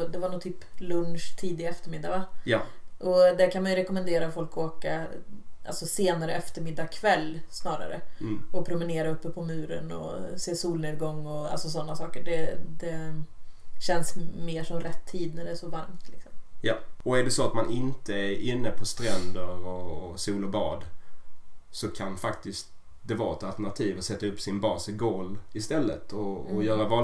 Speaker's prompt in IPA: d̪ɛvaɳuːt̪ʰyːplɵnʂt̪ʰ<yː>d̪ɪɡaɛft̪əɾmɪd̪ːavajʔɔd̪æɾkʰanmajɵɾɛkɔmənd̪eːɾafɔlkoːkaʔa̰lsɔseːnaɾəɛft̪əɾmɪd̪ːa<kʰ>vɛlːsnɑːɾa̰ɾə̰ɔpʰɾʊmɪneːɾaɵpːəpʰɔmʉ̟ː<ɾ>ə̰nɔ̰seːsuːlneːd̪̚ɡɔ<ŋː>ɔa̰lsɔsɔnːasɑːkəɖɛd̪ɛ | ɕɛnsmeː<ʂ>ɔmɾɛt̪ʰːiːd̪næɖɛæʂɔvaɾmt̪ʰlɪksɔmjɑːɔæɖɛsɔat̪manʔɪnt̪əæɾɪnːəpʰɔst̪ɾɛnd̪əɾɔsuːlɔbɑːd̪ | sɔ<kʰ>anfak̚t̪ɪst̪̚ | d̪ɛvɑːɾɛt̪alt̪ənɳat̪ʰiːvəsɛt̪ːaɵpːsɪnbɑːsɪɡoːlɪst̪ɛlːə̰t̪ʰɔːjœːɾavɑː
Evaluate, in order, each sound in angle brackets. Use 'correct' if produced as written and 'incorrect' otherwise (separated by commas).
incorrect, correct, correct, correct, correct, correct